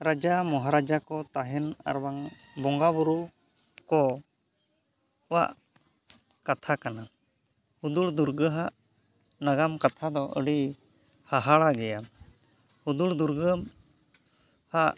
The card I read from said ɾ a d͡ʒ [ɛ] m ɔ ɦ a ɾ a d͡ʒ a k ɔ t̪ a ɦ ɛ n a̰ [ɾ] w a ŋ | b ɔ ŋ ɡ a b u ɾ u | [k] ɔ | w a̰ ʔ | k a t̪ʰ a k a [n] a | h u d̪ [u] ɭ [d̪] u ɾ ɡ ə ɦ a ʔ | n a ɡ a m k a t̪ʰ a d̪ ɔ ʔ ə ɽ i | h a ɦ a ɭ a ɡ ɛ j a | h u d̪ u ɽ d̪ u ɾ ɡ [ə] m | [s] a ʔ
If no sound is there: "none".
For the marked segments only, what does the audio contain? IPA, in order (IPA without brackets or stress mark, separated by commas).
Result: a, ɾ, k, n, u, d̪, ə, h